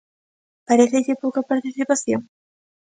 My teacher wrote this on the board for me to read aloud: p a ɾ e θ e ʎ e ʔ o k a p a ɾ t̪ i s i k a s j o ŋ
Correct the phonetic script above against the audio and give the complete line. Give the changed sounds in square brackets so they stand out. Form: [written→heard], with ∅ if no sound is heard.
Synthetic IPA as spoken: p a ɾ e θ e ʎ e [ʔ→p] o k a p a ɾ t̪ i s i [k→p] a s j o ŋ